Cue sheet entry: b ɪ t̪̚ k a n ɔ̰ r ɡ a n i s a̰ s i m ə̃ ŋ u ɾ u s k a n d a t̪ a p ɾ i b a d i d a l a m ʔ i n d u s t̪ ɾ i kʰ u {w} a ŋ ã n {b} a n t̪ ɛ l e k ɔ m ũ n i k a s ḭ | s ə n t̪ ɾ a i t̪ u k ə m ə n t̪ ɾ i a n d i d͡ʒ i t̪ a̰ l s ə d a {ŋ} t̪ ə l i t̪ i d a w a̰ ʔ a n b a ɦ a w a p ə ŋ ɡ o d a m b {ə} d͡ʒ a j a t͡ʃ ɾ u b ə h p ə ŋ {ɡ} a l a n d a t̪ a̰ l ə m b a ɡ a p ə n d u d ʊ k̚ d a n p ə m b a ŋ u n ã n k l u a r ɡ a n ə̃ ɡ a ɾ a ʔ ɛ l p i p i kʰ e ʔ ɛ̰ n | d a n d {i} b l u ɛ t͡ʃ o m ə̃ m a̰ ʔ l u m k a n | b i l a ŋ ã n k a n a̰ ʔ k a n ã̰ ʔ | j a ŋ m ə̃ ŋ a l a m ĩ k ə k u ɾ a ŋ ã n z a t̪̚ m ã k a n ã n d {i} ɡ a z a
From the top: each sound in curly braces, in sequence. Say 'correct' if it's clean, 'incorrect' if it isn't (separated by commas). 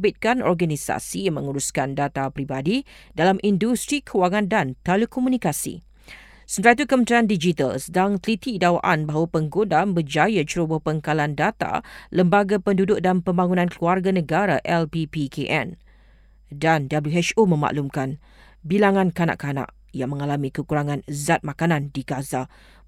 correct, incorrect, correct, correct, incorrect, incorrect, correct